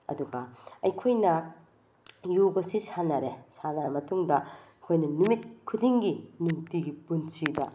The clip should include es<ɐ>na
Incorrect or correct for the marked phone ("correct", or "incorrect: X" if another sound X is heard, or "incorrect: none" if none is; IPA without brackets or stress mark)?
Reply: incorrect: a